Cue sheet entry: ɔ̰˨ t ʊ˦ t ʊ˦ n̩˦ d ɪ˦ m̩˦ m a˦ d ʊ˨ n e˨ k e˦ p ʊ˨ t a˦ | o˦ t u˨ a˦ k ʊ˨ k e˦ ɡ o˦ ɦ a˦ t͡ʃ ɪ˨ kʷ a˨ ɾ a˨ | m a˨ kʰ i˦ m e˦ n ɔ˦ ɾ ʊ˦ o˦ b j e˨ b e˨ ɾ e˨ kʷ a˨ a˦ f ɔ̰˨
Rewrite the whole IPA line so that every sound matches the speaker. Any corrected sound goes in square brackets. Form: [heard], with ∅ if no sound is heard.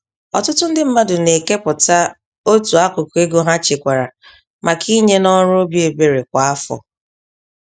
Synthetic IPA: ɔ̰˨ t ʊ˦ t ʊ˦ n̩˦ d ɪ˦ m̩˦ m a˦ d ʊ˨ n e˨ k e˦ p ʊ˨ t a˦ | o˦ t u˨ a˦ k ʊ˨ k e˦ ɡ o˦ ɦ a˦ t͡ʃ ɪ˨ kʷ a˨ ɾ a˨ | m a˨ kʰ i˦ [ɲ] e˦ n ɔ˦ ɾ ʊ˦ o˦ b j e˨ b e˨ ɾ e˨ kʷ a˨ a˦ f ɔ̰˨